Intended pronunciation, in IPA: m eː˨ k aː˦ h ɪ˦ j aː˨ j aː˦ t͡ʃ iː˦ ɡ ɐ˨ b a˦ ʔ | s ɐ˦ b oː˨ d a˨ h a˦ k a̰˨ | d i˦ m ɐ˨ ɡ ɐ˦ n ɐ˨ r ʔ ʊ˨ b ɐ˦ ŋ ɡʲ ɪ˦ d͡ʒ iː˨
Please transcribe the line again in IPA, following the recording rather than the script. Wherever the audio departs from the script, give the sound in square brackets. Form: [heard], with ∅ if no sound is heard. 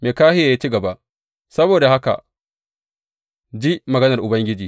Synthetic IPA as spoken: m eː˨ k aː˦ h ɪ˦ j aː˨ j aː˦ t͡ʃ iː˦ ɡ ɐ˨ b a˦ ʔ | s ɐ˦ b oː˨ d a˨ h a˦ k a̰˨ | [d͡ʒ] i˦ m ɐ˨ ɡ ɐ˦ n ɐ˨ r ʔ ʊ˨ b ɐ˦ ŋ ɡʲ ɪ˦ d͡ʒ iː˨

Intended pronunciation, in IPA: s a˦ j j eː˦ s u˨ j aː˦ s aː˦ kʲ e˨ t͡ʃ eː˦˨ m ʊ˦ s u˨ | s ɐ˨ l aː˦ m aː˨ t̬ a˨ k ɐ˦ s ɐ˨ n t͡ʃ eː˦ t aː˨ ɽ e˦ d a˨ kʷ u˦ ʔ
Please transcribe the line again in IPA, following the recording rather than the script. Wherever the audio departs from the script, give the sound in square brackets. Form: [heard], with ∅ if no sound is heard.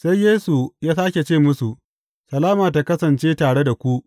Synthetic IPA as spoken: s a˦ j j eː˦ s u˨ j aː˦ s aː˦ kʲ e˨ t͡ʃ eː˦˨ m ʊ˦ s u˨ | s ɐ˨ l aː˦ m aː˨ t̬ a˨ k ɐ˦ s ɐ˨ n t͡ʃ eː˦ t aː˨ ɽ e˦ d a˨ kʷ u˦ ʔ

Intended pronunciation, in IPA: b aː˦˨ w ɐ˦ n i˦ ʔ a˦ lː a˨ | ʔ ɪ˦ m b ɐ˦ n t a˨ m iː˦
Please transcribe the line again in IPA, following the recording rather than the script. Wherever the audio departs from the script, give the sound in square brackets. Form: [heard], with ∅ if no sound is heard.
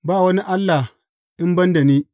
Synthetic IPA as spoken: b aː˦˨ w ɐ˦ n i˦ ʔ a˦ lː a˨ | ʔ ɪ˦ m b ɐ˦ n [d] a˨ [n] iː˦

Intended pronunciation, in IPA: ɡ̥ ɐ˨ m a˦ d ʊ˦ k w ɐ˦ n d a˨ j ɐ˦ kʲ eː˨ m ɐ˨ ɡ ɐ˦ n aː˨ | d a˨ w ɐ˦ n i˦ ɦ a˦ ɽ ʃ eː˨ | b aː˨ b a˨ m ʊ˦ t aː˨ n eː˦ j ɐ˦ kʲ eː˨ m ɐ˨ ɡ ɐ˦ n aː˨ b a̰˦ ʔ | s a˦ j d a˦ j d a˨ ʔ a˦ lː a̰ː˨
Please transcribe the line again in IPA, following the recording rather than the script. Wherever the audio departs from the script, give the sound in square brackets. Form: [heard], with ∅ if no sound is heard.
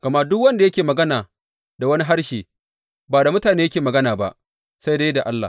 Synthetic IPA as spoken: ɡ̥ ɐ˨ m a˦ d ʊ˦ k w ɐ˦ n d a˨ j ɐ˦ kʲ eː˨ m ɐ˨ ɡ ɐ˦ n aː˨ | d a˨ w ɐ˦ n i˦ ɦ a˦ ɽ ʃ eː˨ | b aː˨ [d] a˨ m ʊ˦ t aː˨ n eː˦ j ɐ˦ kʲ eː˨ m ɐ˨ ɡ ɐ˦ n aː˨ b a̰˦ ʔ | s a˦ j d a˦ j d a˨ ʔ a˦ lː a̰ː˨

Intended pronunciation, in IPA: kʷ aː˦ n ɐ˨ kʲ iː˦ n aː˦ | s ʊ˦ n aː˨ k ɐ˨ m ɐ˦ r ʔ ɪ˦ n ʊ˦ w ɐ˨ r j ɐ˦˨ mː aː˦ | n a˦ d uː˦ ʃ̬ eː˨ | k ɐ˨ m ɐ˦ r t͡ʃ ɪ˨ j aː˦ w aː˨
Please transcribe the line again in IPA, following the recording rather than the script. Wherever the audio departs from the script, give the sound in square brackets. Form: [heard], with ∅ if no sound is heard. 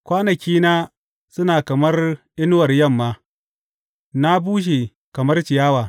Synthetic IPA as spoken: kʷ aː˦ n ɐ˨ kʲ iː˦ n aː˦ | s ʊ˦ n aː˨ k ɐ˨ m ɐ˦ r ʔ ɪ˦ n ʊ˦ w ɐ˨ r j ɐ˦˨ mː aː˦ | n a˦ [b] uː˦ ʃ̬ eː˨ | k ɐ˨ m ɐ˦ r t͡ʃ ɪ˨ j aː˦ w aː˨

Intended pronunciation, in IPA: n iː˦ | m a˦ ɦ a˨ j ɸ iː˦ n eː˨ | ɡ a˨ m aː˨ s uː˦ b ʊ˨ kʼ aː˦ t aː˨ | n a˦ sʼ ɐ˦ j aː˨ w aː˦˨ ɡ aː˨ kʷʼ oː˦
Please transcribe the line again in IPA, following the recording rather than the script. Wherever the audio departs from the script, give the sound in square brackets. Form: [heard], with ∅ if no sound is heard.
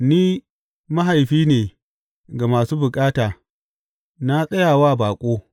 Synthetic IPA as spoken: n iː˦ | m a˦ ɦ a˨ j ɸ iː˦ n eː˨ | ɡ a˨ m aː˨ s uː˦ b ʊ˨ kʼ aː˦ t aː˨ | n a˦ sʼ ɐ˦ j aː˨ w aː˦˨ [b] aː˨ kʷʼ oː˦

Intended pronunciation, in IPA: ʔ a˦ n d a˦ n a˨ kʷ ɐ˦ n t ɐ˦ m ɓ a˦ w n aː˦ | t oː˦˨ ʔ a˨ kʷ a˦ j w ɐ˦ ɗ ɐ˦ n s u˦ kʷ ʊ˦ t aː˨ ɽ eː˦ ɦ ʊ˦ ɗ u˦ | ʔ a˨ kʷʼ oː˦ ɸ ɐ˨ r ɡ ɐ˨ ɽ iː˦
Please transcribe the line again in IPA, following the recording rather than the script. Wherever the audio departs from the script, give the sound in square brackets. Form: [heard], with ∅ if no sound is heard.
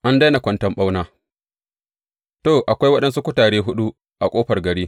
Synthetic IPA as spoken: ʔ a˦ n d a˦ n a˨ kʷ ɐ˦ n t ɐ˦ m ɓ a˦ w n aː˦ | t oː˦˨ ʔ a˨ kʷ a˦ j w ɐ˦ ɗ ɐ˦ n s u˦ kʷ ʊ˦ t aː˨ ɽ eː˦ ɦ ʊ˦ ɗ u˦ | ʔ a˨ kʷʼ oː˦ ɸ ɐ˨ r ɡ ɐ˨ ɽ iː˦

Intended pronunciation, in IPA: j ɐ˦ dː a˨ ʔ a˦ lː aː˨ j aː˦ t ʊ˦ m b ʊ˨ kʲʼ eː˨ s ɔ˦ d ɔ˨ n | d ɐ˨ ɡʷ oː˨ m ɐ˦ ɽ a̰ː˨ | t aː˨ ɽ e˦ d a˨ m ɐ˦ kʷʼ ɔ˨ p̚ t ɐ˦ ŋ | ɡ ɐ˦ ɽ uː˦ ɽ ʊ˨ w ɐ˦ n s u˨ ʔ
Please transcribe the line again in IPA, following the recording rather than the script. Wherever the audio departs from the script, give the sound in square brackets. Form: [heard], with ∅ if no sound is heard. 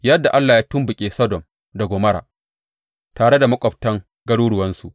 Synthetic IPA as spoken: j ɐ˦ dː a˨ ʔ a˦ lː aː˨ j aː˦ t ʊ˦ m b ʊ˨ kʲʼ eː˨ s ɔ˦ d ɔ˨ [m] | d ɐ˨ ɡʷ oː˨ m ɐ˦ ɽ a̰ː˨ | t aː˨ ɽ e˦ d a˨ m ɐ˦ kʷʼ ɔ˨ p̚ t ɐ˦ ŋ | ɡ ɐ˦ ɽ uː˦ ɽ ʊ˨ w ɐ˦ n s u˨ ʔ

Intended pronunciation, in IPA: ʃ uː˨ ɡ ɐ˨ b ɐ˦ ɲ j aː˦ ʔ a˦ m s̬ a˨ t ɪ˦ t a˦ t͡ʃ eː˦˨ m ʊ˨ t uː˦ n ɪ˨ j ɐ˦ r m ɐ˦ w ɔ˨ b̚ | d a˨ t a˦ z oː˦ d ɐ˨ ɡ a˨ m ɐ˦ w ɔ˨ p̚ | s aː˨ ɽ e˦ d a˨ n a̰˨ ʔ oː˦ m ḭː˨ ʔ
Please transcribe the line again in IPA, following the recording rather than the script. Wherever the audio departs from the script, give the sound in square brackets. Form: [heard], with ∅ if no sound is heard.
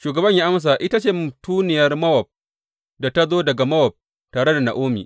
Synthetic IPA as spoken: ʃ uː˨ ɡ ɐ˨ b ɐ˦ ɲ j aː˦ ʔ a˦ m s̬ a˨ [ʔ] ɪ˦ t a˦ t͡ʃ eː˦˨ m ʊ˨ t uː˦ n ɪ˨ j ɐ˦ r m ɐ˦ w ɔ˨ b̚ | d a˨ t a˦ z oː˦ d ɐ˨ ɡ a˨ m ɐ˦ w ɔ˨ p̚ | [t] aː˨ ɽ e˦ d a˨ n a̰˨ ʔ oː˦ m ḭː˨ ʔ

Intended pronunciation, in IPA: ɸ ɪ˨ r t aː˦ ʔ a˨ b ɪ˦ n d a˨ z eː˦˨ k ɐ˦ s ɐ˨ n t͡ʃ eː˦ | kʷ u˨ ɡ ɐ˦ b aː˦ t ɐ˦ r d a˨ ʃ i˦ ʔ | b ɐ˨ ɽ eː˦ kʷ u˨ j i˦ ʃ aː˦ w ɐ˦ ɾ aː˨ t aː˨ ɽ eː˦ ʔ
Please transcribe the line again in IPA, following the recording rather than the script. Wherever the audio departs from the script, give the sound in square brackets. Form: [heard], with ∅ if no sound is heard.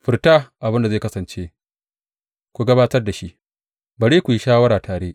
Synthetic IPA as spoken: ɸ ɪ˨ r t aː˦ ʔ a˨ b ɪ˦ n d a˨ z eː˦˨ k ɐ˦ s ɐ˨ n t͡ʃ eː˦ | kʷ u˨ ɡ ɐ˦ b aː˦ t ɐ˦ r d a˨ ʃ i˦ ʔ | b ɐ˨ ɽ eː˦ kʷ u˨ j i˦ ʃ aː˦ w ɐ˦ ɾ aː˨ t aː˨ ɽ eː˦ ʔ

